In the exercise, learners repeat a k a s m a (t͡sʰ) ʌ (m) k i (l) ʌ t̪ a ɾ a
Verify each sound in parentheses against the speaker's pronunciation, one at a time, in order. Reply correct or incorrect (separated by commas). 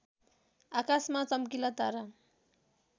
incorrect, correct, correct